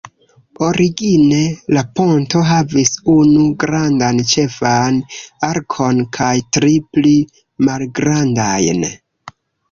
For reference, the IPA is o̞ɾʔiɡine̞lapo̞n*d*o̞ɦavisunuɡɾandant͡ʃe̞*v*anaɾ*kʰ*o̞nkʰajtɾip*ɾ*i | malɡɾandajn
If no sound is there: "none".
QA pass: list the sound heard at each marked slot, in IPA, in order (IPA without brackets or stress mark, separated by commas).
t, f, kʰ, l